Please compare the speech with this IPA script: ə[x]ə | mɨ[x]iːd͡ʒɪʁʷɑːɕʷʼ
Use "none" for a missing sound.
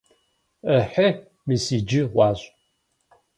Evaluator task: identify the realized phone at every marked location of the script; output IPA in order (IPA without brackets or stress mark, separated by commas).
ħ, s